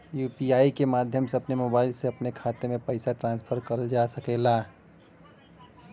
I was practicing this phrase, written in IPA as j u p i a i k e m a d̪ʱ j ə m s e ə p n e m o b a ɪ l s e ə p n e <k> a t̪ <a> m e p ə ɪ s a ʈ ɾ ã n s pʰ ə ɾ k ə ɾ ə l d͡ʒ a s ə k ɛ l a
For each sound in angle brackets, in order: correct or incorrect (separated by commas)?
incorrect, incorrect